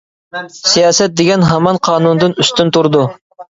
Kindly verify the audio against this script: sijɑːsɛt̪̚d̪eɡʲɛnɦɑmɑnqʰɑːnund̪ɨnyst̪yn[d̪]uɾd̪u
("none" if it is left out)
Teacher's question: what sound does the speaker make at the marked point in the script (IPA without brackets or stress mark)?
t̪